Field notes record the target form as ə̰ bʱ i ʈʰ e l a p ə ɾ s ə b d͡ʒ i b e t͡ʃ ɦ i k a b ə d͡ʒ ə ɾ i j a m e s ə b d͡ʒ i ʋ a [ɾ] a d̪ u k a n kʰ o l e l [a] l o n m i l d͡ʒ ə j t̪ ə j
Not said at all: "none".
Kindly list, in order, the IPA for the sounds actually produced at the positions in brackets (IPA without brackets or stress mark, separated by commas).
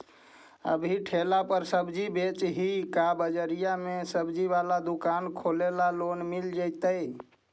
l, a